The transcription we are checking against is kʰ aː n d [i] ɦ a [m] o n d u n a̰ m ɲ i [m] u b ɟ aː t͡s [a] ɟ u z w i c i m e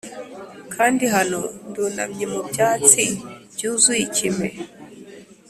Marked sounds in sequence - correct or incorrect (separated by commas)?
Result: correct, incorrect, correct, incorrect